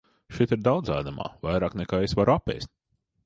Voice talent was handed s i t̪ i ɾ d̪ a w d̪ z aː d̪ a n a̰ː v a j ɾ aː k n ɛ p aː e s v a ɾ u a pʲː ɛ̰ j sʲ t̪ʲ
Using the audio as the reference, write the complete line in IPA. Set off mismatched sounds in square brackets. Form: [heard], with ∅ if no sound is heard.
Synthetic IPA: [ʃ] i t̪ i ɾ d̪ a w d̪ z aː d̪ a [m] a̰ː v a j ɾ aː k n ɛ [k] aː e s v a ɾ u a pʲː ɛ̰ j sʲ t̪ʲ